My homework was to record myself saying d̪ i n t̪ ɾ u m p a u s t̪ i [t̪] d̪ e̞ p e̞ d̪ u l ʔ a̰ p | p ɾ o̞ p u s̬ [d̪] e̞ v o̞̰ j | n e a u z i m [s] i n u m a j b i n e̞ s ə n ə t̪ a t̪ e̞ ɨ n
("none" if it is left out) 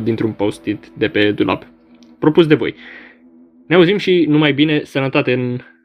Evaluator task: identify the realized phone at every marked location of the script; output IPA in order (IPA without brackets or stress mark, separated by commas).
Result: t̪, d̪, ʃ